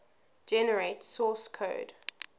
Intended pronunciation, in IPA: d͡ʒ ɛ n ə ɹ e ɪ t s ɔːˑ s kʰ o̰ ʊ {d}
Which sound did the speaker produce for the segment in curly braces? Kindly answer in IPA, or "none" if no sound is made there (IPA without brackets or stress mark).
d